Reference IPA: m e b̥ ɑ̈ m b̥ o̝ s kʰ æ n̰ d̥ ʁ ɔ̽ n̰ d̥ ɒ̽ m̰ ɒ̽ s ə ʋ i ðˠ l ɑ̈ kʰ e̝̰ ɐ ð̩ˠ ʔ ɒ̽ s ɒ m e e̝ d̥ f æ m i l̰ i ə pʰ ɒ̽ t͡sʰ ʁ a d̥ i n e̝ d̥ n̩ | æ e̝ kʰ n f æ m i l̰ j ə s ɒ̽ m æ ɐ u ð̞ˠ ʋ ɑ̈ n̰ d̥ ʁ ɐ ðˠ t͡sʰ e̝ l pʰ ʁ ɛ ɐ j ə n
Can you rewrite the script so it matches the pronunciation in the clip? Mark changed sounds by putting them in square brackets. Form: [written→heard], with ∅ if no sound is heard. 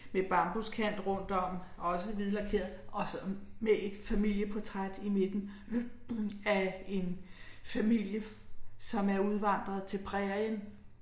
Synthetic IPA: m e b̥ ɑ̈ m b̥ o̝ s kʰ æ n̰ d̥ ʁ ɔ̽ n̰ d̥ ɒ̽ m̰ ɒ̽ s ə ʋ i ðˠ l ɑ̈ kʰ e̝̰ ɐ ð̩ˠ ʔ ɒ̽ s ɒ m e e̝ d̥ f æ m i l̰ [i→j] ə pʰ ɒ̽ t͡sʰ ʁ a d̥ i [n→m] e̝ d̥ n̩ | æ e̝ [kʰ→∅] n f æ m i l̰ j ə s ɒ̽ m æ ɐ u ð̞ˠ ʋ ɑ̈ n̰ d̥ ʁ ɐ ðˠ t͡sʰ e̝ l pʰ ʁ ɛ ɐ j ə n